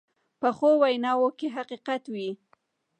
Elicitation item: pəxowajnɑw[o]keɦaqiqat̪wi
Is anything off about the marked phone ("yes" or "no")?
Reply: no